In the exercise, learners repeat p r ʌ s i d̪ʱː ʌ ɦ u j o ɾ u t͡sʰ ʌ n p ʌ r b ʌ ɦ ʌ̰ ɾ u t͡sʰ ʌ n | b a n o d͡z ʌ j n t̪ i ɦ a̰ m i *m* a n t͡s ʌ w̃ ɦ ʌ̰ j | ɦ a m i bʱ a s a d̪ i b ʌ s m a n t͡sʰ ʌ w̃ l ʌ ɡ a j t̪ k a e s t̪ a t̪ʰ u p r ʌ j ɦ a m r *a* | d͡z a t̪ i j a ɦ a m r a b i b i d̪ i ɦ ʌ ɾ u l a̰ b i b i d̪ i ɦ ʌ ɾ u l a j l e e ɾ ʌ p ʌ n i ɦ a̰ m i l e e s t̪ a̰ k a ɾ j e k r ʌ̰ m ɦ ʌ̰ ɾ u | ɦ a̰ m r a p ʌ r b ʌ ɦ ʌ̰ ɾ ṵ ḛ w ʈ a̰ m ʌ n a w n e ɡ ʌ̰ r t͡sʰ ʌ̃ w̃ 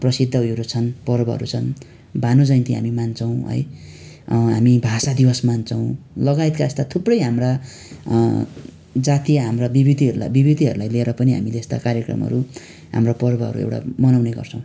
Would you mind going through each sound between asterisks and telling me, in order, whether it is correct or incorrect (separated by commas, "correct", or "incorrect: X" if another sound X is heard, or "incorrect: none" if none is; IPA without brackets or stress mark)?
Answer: correct, correct